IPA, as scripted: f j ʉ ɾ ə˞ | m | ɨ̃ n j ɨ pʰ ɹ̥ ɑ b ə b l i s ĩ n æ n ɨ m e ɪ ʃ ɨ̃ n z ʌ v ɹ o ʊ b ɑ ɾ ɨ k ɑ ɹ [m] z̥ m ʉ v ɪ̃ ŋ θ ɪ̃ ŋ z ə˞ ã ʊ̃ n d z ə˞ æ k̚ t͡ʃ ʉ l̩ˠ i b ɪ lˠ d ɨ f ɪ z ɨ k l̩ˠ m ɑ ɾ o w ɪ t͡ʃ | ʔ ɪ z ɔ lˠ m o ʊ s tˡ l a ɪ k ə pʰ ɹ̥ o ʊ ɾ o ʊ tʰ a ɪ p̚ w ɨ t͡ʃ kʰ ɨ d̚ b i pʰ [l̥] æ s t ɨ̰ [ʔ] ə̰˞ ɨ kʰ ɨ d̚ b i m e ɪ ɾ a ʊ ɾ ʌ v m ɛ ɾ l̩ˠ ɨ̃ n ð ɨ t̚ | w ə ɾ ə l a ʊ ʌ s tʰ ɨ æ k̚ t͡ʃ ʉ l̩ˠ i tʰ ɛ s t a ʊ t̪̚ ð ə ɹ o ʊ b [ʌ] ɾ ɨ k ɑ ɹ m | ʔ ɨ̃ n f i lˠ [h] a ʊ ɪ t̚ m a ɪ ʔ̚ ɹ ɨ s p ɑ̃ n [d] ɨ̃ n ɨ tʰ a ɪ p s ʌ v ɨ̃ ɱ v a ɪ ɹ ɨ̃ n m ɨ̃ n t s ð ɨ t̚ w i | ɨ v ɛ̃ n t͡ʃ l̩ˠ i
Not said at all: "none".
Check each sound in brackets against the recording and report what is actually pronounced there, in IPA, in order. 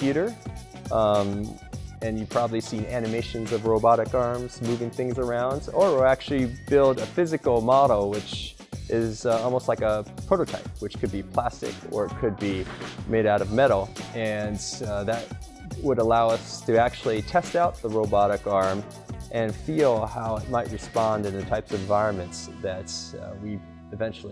m, l̥, k, ɑ, h, d

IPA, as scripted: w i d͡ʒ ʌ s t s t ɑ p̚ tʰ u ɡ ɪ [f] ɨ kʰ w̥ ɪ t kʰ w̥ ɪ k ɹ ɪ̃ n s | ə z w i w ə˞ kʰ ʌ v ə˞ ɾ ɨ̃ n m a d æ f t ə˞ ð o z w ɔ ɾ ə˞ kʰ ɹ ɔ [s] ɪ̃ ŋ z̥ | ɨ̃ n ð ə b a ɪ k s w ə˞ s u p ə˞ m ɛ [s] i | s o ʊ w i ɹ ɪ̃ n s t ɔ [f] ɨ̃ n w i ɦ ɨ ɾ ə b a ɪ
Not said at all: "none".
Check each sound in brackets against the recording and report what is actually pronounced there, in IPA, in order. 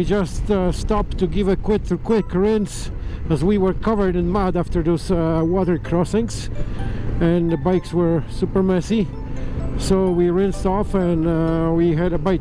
v, s, s, f

